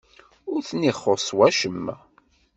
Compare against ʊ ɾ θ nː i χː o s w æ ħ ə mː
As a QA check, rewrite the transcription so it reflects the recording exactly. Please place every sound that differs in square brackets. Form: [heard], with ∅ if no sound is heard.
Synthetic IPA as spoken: ʊ ɾ θ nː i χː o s w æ [ʃ] ə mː